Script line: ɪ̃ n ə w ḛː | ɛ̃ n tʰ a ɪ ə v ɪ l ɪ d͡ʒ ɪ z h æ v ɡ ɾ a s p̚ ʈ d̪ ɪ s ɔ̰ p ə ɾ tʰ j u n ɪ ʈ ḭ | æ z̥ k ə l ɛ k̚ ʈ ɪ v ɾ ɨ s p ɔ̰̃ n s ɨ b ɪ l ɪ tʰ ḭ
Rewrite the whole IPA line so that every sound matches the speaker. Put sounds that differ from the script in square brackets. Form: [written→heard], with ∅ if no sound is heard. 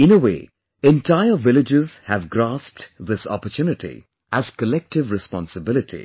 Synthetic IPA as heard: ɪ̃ n ə w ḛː | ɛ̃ n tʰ a ɪ ə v ɪ l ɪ d͡ʒ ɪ z h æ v ɡ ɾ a s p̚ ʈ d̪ ɪ s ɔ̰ p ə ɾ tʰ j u n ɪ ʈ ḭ | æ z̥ k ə l ɛ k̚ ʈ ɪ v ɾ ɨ s p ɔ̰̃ n s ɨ b ɪ l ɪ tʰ ḭ